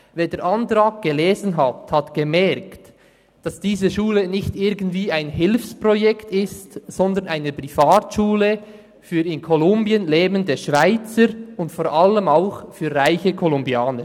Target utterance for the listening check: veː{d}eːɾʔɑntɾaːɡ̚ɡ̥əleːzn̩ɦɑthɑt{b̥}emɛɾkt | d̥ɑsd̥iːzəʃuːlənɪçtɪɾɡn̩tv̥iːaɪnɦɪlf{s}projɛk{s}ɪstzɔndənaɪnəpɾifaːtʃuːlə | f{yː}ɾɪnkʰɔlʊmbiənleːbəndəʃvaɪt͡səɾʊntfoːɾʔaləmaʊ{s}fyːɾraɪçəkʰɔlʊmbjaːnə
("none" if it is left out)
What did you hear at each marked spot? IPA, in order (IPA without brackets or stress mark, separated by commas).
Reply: d, ɡ̥, s, t, yː, x